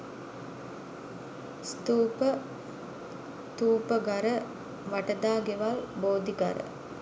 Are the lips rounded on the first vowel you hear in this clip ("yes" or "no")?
yes